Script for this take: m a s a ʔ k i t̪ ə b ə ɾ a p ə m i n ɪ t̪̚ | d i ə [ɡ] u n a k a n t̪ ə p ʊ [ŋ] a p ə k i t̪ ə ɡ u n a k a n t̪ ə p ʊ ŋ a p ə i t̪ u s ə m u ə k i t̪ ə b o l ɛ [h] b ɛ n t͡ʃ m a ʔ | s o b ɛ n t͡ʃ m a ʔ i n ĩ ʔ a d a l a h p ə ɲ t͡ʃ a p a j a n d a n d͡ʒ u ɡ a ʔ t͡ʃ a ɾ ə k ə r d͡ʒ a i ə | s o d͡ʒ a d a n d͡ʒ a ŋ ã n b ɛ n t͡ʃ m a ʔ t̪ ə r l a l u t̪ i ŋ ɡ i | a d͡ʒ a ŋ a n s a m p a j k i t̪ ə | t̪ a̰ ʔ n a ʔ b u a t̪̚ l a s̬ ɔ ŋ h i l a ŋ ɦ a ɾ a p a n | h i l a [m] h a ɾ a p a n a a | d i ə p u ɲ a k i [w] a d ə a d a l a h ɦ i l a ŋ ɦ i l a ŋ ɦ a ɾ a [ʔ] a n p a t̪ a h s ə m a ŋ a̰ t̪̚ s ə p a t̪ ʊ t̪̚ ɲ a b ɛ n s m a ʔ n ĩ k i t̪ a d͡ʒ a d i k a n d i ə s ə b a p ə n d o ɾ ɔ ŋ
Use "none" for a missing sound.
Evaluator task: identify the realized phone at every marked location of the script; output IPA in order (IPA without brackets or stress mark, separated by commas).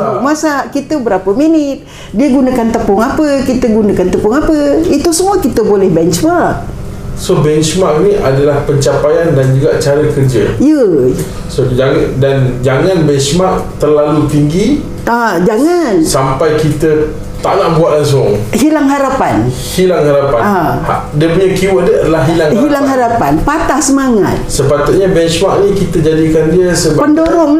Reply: ɡ, ŋ, h, ŋ, w, p